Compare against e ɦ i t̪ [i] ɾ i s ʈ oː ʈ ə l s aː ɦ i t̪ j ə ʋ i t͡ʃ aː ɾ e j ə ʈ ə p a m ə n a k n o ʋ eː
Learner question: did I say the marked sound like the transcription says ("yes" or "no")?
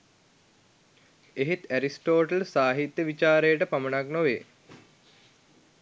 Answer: no